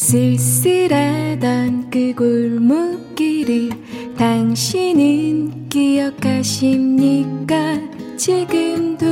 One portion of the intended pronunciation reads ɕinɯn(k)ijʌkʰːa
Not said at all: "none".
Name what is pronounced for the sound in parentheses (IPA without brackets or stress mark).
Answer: k